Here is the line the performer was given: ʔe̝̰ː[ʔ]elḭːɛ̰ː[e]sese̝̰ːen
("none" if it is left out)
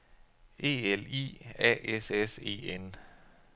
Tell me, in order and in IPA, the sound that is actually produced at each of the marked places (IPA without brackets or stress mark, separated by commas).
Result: none, e